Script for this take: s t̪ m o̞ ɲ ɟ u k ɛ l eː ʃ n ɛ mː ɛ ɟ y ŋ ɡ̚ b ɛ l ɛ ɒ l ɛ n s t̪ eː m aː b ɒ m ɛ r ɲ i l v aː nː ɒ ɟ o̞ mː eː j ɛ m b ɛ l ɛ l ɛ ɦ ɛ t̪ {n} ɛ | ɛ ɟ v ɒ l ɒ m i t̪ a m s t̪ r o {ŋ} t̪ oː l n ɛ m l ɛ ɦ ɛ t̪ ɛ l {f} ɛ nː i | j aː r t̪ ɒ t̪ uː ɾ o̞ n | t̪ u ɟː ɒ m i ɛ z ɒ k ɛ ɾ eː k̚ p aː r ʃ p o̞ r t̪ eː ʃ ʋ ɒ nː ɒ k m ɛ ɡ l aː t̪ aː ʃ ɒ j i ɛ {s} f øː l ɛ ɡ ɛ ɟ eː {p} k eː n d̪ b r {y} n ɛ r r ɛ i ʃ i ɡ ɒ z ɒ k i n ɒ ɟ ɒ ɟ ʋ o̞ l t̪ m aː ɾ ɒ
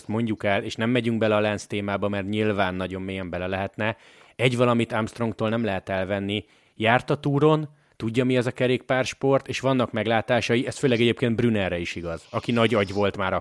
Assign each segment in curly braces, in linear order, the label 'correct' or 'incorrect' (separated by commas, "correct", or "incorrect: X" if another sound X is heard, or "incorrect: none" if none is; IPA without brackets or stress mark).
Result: correct, correct, incorrect: v, correct, correct, correct